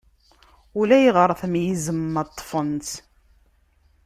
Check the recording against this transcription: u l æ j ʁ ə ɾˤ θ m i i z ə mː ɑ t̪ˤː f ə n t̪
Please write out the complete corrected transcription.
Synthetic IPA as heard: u l æ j ʁ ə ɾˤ θ m j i z ə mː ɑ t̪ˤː f ə n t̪